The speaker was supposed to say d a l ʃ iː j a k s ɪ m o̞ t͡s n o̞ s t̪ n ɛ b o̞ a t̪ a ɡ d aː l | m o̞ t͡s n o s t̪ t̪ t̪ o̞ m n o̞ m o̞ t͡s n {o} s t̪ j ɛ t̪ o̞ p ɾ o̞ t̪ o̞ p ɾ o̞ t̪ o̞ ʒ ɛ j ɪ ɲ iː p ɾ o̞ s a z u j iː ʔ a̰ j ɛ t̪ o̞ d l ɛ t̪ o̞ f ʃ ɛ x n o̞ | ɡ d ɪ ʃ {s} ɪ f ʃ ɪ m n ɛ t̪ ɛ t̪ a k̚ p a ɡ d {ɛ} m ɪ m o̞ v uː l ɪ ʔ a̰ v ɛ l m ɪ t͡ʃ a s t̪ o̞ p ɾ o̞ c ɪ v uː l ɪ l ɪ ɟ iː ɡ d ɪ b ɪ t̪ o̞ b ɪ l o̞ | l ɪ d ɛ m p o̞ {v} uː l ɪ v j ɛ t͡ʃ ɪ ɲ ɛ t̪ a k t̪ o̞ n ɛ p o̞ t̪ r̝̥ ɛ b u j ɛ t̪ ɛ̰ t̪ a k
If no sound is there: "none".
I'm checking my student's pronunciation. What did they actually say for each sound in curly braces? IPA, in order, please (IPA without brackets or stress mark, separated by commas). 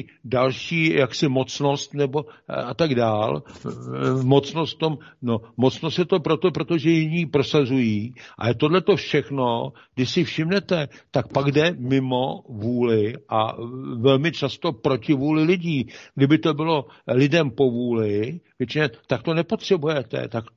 o, s, ɛ, v